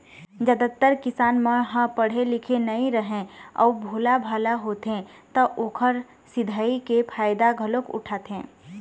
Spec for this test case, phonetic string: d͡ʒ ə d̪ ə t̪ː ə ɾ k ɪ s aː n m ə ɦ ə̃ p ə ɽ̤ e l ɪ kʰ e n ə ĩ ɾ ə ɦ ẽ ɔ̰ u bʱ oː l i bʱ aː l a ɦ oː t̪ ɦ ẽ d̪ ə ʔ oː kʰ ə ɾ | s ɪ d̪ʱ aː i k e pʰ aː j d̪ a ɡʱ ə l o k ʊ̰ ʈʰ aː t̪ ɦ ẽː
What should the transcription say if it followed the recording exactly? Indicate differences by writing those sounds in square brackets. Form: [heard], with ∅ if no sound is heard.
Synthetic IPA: d͡ʒ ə d̪ ə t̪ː ə ɾ k ɪ s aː n m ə ɦ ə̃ p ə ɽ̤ e l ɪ kʰ e n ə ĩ ɾ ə ɦ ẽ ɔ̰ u bʱ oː l [a] bʱ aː l a ɦ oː t̪ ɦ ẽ [t̪] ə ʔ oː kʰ ə ɾ | s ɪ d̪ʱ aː i k e pʰ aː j d̪ a ɡʱ ə l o k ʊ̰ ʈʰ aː t̪ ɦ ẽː